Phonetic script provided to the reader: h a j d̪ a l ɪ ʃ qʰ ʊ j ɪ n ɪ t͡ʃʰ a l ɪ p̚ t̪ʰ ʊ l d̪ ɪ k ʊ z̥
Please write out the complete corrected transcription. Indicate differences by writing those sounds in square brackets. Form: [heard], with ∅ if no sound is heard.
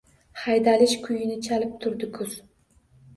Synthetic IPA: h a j d̪ a l ɪ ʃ [kʰ] ʊ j ɪ n ɪ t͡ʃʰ a l ɪ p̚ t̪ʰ ʊ [ɾ] d̪ ɪ [kʰ] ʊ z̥